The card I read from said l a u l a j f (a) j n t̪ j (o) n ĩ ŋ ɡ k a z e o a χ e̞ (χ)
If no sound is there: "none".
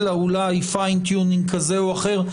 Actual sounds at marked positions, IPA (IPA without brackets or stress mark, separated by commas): a, u, ʁ